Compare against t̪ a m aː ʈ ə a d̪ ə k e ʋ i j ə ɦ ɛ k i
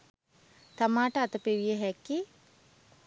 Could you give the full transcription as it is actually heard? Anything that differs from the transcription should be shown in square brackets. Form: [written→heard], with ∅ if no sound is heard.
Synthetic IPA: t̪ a m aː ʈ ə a [d̪→t̪] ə [k→p] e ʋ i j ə ɦ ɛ k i